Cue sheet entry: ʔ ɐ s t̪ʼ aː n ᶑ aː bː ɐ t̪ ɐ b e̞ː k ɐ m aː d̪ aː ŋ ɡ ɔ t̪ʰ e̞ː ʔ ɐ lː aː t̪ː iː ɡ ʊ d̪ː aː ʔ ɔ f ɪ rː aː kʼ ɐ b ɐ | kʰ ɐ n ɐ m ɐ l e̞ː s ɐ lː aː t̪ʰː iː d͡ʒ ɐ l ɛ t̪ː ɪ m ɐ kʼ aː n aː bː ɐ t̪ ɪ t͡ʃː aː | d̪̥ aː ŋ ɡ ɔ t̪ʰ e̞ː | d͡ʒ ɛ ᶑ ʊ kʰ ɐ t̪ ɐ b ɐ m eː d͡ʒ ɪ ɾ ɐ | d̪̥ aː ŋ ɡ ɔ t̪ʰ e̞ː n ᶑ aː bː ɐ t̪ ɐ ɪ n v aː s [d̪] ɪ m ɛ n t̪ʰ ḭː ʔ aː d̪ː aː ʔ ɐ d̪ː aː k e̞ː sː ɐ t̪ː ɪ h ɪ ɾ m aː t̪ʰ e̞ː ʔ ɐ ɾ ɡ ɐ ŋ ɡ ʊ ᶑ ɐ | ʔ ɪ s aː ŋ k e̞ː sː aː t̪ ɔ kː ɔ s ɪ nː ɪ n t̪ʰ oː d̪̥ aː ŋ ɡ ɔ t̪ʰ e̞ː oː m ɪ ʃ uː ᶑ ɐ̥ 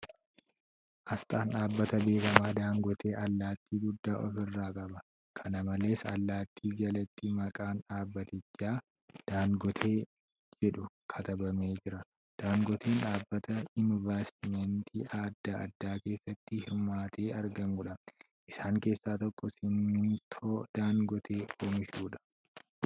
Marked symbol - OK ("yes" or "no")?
no